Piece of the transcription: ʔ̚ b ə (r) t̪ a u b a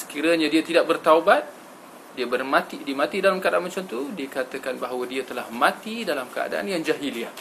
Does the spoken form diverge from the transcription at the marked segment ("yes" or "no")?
no